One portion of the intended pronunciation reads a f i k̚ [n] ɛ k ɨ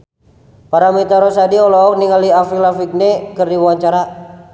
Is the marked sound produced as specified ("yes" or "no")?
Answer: yes